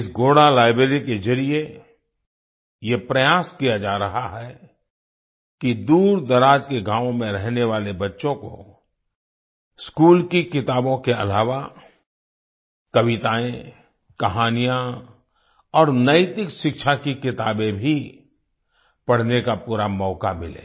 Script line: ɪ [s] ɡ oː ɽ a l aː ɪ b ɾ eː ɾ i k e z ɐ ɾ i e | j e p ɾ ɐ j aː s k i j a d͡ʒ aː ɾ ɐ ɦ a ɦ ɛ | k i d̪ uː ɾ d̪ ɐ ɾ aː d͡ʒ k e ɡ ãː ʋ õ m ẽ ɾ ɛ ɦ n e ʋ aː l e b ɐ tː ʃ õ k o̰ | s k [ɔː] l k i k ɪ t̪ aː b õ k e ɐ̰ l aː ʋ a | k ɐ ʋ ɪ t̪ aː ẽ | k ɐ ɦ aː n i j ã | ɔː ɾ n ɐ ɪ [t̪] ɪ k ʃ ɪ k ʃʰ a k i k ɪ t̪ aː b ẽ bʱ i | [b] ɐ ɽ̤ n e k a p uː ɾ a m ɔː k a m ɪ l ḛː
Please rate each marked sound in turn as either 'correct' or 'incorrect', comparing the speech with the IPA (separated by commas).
correct, incorrect, correct, incorrect